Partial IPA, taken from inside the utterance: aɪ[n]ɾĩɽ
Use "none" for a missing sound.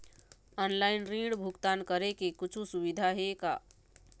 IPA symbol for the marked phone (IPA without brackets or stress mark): n